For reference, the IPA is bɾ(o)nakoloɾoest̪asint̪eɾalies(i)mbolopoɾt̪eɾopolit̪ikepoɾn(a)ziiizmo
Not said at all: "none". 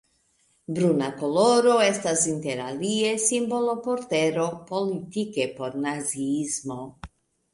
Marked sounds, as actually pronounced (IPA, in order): u, i, a

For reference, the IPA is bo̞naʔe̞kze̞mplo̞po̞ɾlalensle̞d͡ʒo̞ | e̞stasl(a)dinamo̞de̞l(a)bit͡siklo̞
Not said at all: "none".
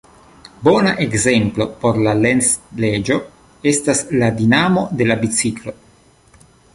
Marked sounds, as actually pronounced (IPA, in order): a, a

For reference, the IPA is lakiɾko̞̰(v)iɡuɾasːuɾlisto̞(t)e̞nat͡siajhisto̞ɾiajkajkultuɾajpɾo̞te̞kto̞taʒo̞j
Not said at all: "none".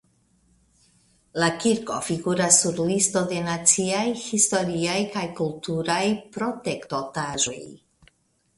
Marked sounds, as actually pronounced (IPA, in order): f, d

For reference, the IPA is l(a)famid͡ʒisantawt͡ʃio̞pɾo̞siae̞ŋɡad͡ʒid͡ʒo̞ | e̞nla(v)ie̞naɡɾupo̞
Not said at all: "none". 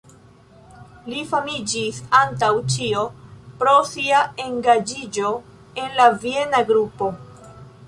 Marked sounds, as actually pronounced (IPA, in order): i, v

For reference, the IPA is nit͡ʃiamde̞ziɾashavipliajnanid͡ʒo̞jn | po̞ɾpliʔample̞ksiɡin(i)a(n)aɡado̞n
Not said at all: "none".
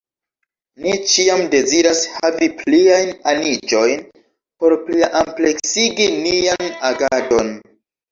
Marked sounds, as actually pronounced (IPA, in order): i, n

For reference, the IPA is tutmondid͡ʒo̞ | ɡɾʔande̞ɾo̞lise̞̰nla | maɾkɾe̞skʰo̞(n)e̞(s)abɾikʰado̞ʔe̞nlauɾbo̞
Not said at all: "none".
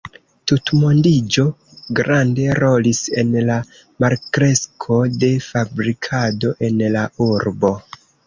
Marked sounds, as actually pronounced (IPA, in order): d, f

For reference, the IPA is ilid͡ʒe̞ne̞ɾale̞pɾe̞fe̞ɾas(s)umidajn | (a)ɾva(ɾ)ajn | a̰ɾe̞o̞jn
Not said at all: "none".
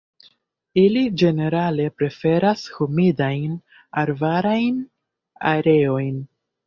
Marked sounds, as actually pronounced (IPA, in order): h, a, ɾ

